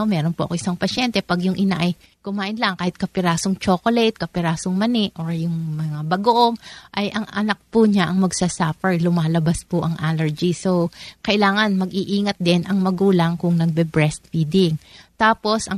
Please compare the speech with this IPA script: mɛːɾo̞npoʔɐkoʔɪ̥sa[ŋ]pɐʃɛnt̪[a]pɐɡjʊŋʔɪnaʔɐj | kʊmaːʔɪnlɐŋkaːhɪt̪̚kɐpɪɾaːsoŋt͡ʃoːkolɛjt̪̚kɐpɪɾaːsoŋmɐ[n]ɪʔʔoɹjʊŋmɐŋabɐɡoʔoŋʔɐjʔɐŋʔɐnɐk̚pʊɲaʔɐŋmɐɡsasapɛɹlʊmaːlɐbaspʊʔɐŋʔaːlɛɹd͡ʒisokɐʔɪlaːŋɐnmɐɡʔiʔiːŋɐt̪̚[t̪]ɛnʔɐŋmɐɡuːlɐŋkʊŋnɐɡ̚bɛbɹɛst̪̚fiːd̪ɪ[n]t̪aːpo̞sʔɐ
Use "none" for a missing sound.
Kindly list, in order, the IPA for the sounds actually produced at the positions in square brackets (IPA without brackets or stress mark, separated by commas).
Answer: ŋ, ɛ, n, d̪, ŋ